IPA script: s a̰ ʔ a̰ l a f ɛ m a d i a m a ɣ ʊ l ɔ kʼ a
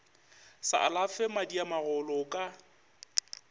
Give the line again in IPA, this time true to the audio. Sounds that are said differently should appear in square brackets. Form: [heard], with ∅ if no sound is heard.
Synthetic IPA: s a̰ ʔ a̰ l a f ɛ m a d i a m a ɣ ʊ l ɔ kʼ a